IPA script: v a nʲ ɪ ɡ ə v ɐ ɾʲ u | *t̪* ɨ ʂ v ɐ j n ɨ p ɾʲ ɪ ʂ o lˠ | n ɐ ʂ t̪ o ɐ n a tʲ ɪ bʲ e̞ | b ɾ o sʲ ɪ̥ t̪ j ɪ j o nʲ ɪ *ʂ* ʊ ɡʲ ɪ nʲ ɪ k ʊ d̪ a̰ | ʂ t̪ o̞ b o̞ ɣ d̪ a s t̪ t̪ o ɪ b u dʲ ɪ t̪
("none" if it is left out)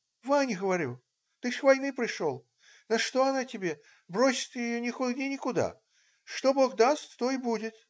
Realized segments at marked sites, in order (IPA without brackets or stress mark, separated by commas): t̪, x